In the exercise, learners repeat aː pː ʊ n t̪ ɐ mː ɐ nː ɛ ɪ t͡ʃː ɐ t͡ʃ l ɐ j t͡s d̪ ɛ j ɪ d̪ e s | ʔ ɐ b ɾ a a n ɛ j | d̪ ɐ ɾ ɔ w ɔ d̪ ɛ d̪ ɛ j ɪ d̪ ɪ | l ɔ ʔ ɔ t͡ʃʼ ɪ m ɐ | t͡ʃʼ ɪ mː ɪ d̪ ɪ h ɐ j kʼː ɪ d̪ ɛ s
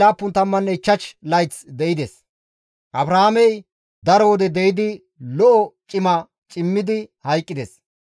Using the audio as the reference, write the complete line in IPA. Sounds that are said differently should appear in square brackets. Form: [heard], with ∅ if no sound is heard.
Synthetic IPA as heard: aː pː ʊ n t̪ ɐ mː ɐ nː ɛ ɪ t͡ʃː ɐ t͡ʃ l ɐ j t͡s d̪ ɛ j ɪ d̪ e s | ʔ ɐ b ɾ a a [m] ɛ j | d̪ ɐ ɾ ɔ w ɔ d̪ ɛ d̪ ɛ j ɪ d̪ ɪ | l ɔ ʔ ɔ t͡ʃʼ ɪ m ɐ | t͡ʃʼ ɪ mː ɪ d̪ ɪ h ɐ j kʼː ɪ d̪ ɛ s